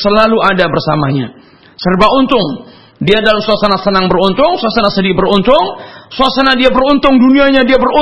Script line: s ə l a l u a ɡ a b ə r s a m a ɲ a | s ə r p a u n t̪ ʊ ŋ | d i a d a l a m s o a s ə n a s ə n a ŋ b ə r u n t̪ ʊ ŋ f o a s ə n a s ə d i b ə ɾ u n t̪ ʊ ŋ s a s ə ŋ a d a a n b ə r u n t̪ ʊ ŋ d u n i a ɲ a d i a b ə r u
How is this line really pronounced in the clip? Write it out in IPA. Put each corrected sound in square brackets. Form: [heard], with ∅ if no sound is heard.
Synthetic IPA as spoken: s ə l a l u a [d] a b ə r s a m a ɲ a | s ə r [b] a u n t̪ ʊ ŋ | d i a d a l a m s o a s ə n a s ə n a ŋ b ə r u n t̪ ʊ ŋ [s] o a s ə n a s ə d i b ə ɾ u n t̪ ʊ ŋ s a s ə [n] a d [i] a [∅] b ə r u n t̪ ʊ ŋ d u n i a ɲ a d i a b ə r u